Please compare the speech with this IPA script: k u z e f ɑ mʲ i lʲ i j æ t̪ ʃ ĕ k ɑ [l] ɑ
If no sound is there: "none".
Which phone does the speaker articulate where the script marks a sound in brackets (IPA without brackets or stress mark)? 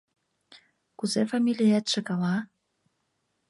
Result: l